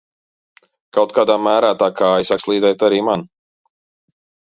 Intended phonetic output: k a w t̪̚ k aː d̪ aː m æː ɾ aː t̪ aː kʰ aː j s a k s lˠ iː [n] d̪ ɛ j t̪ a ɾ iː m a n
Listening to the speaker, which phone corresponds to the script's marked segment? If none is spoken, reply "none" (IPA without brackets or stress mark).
none